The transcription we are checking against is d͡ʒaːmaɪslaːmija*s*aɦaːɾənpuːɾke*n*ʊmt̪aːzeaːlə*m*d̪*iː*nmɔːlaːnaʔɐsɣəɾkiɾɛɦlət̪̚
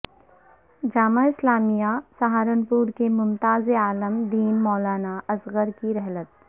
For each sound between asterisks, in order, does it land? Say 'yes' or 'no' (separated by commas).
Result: yes, no, yes, yes